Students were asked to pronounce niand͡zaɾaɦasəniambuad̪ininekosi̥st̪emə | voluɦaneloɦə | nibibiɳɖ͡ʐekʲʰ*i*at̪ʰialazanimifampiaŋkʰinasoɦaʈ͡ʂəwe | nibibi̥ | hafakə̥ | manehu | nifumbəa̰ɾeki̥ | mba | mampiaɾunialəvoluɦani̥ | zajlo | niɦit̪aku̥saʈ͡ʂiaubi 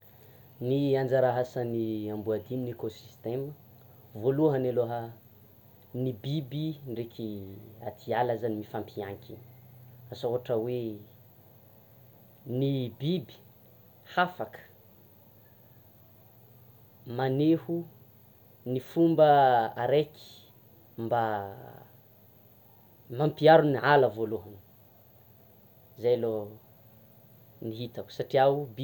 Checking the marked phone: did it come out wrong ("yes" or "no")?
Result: no